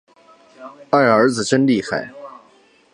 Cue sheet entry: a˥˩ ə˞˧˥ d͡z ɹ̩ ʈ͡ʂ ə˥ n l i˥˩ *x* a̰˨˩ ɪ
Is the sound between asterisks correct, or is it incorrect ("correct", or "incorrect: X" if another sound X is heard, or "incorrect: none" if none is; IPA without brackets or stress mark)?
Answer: correct